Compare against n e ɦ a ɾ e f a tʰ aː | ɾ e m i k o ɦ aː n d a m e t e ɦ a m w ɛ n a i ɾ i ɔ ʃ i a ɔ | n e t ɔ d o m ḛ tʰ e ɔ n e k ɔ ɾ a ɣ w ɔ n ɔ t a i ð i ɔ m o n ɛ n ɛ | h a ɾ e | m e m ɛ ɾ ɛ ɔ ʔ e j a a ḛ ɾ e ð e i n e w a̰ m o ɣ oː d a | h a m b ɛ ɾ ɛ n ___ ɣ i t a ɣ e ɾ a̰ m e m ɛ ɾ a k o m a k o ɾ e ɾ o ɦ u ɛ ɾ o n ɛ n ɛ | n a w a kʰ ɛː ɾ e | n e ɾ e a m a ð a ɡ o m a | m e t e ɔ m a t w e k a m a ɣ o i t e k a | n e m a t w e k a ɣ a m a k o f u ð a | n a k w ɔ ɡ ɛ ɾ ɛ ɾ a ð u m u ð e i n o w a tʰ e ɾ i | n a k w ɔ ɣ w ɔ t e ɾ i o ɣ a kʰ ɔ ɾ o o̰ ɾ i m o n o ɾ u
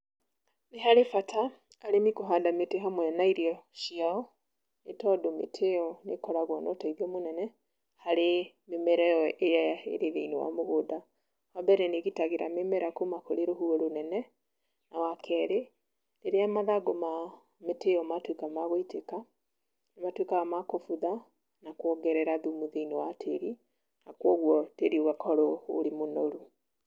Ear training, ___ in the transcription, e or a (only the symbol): e